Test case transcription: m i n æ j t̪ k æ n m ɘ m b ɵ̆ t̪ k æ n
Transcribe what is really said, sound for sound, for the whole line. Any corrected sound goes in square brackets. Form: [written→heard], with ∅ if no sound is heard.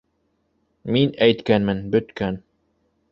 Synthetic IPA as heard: m i n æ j t̪ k æ n m ɘ [m→n] b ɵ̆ t̪ k æ n